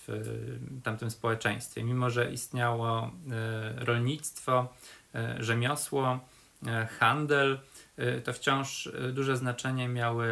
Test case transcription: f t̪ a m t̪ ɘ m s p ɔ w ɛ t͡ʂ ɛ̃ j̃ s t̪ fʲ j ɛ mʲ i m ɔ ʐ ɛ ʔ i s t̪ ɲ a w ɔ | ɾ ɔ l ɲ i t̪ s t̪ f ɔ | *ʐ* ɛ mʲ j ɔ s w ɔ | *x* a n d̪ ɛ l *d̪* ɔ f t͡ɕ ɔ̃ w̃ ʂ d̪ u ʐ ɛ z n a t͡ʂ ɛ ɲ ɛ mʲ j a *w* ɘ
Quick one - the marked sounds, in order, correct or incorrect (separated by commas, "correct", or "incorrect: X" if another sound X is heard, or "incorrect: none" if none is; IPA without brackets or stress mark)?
correct, correct, incorrect: t̪, correct